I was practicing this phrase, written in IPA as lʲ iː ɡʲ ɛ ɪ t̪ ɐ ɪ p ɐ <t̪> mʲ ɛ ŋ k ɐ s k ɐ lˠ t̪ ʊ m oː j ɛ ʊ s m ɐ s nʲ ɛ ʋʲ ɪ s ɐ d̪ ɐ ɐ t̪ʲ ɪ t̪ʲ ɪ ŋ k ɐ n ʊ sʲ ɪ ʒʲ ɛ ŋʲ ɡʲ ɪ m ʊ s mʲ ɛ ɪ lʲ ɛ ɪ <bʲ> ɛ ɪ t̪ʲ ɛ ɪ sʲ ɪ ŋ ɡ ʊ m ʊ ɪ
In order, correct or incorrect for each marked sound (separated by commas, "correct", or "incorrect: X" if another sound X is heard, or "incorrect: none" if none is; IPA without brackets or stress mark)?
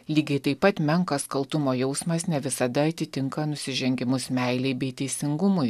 correct, correct